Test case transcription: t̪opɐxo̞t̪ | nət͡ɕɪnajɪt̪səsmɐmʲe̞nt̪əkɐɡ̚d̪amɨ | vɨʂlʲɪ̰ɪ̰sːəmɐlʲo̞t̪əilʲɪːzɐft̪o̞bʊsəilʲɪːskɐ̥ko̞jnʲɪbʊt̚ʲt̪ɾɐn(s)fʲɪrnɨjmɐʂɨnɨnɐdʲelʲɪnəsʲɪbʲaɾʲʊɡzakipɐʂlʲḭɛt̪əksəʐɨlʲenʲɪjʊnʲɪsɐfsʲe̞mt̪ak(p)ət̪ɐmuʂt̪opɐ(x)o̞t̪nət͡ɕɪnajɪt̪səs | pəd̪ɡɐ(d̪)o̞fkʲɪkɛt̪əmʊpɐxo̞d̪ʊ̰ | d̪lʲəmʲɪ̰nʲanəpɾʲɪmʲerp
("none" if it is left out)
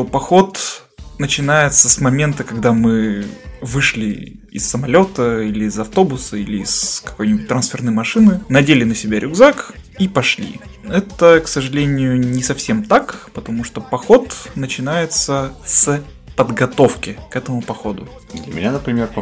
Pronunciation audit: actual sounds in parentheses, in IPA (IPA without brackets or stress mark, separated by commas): s, p, x, t̪